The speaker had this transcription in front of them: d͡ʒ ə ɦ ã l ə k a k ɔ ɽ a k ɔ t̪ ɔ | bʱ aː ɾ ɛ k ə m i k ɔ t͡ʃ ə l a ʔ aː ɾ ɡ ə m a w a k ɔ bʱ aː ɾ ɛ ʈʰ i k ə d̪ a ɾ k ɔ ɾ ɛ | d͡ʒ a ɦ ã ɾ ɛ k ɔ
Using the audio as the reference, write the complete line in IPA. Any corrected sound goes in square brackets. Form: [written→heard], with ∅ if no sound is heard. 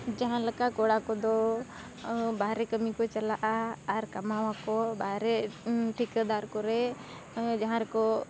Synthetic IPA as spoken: d͡ʒ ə ɦ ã l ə k a k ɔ ɽ a k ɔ [t̪→d̪] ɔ | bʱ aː ɾ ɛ k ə m i k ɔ t͡ʃ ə l a ʔ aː ɾ [ɡ→k] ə m a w a k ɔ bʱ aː ɾ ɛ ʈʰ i k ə d̪ a ɾ k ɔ ɾ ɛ | d͡ʒ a ɦ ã ɾ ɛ k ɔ